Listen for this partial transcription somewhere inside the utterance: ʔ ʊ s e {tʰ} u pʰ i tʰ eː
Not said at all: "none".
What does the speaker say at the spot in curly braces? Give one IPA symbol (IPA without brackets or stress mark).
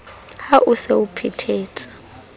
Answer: none